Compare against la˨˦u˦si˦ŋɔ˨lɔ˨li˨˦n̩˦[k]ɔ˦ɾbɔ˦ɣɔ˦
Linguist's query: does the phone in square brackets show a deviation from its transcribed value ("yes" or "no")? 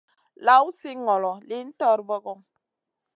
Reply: yes